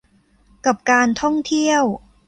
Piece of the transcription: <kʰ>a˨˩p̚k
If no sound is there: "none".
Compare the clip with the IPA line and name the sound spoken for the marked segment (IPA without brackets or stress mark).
k